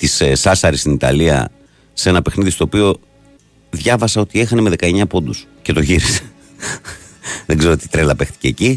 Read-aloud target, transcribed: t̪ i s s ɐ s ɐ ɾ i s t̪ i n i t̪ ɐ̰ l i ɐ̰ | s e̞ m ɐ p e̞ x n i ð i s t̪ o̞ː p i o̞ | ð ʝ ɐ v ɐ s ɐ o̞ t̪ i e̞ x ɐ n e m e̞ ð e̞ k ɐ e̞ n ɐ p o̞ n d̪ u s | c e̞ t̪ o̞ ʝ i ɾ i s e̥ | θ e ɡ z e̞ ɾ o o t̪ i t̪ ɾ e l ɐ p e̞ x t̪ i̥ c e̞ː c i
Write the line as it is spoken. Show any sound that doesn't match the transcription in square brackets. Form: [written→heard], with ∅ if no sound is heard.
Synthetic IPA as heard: t̪ i s s ɐ s ɐ ɾ i s t̪ i n i t̪ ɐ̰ l i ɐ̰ | s e̞ [m→n] ɐ p e̞ x n i ð i s t̪ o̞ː p i o̞ | ð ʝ ɐ v ɐ s ɐ o̞ t̪ i e̞ x ɐ n e m e̞ ð e̞ k ɐ e̞ [n→ɲ] ɐ p o̞ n d̪ u s | c e̞ t̪ o̞ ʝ i ɾ i s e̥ | [θ→ð] e ɡ z e̞ ɾ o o t̪ i t̪ ɾ e l ɐ p e̞ x t̪ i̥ c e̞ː c i